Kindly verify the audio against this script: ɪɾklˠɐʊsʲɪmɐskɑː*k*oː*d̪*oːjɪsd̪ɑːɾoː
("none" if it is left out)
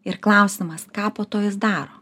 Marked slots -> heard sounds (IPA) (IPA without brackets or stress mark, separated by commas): p, t̪